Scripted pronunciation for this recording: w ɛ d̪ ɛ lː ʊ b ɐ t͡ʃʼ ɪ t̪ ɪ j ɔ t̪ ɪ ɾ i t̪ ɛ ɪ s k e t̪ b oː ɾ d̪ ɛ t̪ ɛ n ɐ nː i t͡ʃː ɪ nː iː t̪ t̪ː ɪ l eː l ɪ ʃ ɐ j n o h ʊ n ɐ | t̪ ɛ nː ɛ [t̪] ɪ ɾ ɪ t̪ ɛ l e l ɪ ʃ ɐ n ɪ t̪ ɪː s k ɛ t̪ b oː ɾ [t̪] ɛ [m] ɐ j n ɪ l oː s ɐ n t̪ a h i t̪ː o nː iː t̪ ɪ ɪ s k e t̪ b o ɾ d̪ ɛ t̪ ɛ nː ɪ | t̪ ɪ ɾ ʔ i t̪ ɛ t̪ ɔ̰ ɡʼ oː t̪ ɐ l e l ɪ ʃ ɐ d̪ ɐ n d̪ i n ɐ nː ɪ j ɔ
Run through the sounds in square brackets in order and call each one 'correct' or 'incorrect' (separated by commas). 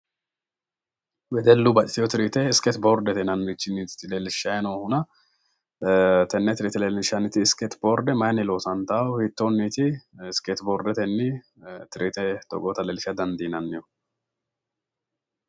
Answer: correct, incorrect, correct